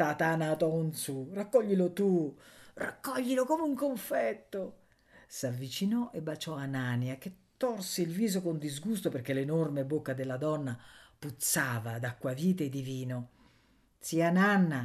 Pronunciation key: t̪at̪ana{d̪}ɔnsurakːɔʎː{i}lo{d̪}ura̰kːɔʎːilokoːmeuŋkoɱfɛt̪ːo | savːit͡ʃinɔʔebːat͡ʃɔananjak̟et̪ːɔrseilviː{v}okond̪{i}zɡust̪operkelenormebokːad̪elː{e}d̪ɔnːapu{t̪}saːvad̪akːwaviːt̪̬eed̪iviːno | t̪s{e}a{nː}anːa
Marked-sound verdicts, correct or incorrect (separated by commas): incorrect, correct, incorrect, incorrect, correct, incorrect, correct, incorrect, incorrect